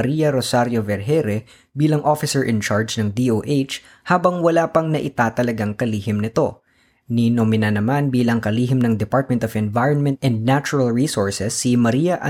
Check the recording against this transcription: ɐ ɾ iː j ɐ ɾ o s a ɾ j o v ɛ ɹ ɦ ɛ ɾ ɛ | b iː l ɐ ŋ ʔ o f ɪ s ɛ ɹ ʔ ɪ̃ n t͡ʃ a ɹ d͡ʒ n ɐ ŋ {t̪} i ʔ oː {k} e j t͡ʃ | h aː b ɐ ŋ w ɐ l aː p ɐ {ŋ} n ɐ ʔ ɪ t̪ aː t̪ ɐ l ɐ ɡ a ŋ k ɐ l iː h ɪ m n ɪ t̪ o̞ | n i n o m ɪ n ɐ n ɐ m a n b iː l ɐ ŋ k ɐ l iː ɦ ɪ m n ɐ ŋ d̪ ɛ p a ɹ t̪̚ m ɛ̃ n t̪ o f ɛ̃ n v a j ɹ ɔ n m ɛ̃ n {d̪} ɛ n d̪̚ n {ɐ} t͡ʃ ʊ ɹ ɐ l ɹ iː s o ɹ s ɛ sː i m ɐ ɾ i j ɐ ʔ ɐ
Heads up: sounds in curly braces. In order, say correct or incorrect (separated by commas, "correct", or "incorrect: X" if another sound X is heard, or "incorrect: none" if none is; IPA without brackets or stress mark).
incorrect: d̪, incorrect: ʔ, correct, incorrect: t̪, incorrect: a